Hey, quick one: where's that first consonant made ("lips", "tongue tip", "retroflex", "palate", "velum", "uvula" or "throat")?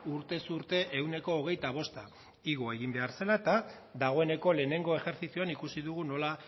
tongue tip